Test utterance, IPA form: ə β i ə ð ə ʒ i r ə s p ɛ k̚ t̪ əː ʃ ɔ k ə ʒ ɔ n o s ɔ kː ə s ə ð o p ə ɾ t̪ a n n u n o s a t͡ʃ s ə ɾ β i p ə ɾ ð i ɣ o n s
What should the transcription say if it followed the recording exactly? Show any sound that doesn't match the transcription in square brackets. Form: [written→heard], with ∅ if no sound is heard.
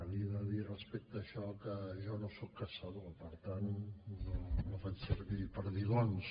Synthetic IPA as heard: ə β i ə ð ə [ʒ→ð] i r ə s p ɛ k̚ t̪ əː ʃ ɔ k ə ʒ ɔ n o s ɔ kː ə s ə ð o p ə ɾ t̪ a n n [u→o] n o [s→f] a t͡ʃ s ə ɾ β i p ə ɾ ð i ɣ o n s